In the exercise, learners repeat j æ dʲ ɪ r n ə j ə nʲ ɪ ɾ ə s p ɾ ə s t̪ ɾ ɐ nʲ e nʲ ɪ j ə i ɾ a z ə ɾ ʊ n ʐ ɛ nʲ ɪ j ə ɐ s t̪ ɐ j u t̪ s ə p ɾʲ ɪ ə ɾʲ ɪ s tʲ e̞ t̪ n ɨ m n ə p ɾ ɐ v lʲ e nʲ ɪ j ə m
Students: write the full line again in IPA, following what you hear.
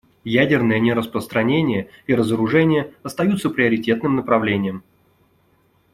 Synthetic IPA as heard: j æ dʲ ɪ r n ə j ə nʲ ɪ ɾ ə s p ɾ ə s t̪ ɾ ɐ nʲ e nʲ ɪ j ə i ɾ ə z ə ɾ ʊ ʐ ɛ nʲ ɪ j ə ɐ s t̪ ɐ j u t̪ s ə p ɾʲ ɪ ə ɾʲ ɪ tʲ e̞ t̪ n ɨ m n ə p ɾ ɐ v lʲ e nʲ ɪ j ə m